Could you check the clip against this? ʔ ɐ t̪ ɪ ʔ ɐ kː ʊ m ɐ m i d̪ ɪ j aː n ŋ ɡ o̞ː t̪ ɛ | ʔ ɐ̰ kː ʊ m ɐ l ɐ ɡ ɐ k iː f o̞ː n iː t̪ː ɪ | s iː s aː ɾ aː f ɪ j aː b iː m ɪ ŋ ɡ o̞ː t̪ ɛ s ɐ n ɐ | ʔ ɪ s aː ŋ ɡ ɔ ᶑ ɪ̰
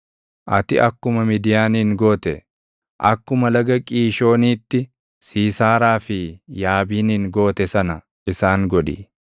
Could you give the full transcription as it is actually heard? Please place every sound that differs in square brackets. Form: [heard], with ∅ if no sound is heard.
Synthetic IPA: ʔ ɐ t̪ ɪ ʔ ɐ kː ʊ m ɐ m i d̪ ɪ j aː n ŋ ɡ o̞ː t̪ ɛ | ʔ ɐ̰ kː ʊ m ɐ l ɐ ɡ ɐ [kʼ] iː [ʃ] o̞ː n iː t̪ː ɪ | s iː s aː ɾ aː f ɪ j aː b iː [n] ɪ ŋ ɡ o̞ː t̪ ɛ s ɐ n ɐ | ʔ ɪ s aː ŋ ɡ ɔ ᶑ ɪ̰